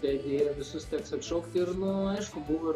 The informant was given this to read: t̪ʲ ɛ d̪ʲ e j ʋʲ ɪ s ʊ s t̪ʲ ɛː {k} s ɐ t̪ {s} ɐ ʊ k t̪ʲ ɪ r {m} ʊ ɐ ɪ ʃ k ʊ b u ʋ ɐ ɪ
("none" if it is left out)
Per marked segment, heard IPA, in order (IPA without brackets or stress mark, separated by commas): k, ʃ, n